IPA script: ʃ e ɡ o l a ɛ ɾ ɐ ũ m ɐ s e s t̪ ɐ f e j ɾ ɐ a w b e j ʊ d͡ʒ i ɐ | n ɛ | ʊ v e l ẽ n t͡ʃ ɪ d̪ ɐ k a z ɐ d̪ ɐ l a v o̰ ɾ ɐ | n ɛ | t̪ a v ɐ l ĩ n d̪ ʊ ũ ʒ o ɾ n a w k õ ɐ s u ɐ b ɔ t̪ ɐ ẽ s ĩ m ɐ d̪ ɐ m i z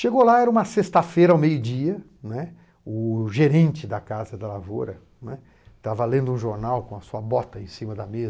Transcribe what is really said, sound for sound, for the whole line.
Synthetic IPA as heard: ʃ e ɡ o l a ɛ ɾ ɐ ũ m ɐ s e s t̪ ɐ f e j ɾ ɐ a w m e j ʊ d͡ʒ i ɐ | n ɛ | ʊ ʒ e ɾ ẽ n t͡ʃ ɪ d̪ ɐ k a z ɐ d̪ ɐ l a v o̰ ɾ ɐ | n ɛ | t̪ a v ɐ l ẽ n d̪ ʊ ũ ʒ o ɾ n a w k õ ɐ s u ɐ b ɔ t̪ ɐ ẽ s ĩ m ɐ d̪ ɐ m e z